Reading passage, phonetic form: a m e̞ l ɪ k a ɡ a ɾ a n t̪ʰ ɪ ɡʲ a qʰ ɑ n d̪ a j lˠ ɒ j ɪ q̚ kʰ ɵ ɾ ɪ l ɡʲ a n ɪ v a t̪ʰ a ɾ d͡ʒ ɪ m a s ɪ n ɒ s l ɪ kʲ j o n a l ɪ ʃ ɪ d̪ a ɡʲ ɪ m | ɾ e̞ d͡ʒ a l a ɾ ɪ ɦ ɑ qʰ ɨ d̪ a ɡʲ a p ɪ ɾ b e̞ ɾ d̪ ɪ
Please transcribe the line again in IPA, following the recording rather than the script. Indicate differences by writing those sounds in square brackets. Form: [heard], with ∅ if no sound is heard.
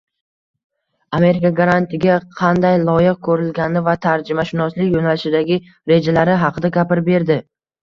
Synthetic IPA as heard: a m e̞ [ɾ] ɪ k a ɡ a ɾ a n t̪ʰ ɪ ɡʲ a qʰ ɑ n d̪ a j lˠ ɒ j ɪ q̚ kʰ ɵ ɾ ɪ l ɡʲ a n ɪ v a t̪ʰ a ɾ d͡ʒ ɪ m a [ʃ] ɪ n ɒ s l ɪ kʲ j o n a l ɪ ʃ ɪ d̪ a ɡʲ ɪ [∅] | ɾ e̞ d͡ʒ a l a ɾ ɪ ɦ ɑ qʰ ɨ d̪ a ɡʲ a p ɪ ɾ b e̞ ɾ d̪ ɪ